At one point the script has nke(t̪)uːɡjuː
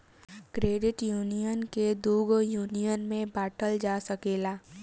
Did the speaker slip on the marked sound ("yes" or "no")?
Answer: yes